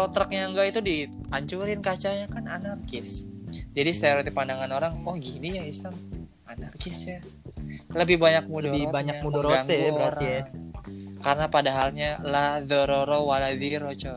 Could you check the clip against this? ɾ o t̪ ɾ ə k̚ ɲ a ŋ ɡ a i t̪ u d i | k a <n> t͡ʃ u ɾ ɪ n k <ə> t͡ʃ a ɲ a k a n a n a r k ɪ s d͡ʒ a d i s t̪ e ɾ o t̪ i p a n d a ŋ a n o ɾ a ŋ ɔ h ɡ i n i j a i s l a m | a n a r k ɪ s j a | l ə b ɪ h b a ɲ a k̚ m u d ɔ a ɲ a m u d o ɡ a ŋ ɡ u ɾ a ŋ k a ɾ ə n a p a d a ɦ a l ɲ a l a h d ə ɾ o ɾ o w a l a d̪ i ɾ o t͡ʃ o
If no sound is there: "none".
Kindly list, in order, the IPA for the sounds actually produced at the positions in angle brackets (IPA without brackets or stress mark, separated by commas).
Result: ɲ, a